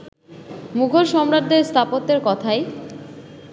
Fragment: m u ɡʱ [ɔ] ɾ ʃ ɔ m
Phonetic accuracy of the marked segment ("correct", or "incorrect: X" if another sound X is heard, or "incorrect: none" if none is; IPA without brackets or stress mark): incorrect: o